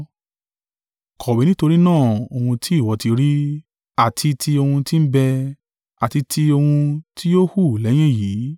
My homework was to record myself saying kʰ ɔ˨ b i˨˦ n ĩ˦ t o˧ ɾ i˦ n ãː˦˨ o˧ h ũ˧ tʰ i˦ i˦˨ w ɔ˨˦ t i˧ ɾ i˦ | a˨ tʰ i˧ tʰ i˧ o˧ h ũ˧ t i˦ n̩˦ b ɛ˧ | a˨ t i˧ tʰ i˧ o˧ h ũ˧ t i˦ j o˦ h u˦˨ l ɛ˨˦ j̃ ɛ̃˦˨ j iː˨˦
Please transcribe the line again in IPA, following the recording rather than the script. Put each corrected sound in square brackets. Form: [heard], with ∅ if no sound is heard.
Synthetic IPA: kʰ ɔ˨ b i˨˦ n ĩ˦ t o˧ ɾ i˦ n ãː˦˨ o˧ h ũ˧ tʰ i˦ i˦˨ w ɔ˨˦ t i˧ ɾ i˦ | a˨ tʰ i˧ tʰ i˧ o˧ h ũ˧ t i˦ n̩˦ b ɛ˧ | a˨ t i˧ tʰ i˧ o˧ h ũ˧ t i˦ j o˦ h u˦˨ l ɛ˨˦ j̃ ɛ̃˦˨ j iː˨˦